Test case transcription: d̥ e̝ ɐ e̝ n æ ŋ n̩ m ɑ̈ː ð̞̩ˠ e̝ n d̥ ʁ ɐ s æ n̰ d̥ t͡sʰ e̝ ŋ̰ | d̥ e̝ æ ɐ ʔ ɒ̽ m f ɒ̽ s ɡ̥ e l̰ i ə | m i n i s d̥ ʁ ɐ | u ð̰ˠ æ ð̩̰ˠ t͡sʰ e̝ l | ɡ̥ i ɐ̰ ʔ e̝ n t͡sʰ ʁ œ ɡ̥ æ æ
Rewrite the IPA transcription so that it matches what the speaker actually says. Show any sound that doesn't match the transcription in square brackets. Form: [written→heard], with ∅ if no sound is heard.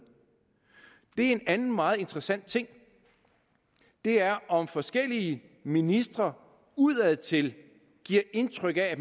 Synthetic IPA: d̥ e̝ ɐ e̝ n æ [ŋ→n] n̩ m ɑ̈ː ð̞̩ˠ e̝ n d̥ ʁ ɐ s æ n̰ d̥ t͡sʰ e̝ ŋ̰ | d̥ e̝ æ ɐ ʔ ɒ̽ m f ɒ̽ s ɡ̥ e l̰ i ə | m i n i s d̥ ʁ ɐ | u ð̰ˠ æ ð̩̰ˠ t͡sʰ e̝ l | ɡ̥ i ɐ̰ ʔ e̝ n t͡sʰ ʁ œ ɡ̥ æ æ